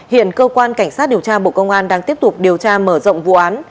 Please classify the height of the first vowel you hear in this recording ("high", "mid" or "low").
high